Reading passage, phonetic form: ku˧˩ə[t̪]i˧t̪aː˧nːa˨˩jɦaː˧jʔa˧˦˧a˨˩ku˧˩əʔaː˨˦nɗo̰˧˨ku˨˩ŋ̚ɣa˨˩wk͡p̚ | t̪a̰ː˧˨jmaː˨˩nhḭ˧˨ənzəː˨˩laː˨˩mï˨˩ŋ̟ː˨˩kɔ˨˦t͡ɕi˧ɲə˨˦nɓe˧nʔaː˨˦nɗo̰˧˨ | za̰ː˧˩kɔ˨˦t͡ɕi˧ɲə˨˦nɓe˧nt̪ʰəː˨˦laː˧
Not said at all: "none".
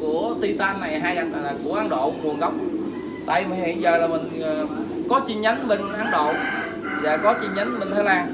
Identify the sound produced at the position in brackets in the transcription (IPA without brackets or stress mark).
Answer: t̪